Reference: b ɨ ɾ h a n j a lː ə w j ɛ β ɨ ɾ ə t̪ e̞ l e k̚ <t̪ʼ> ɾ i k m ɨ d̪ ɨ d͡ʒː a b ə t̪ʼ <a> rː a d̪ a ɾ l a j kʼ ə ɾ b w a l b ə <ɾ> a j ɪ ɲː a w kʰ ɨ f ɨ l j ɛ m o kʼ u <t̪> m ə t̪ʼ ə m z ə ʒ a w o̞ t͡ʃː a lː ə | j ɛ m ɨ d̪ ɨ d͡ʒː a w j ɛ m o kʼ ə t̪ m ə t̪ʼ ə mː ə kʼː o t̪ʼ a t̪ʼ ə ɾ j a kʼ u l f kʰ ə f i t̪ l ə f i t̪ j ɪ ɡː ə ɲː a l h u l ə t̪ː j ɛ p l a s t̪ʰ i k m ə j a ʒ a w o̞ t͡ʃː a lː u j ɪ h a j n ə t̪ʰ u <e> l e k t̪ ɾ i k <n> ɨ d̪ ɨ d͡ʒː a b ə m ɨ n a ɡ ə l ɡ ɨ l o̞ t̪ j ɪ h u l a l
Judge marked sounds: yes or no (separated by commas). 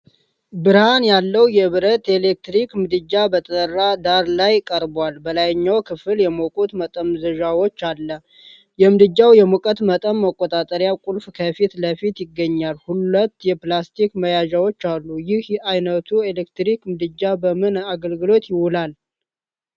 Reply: no, no, no, yes, yes, no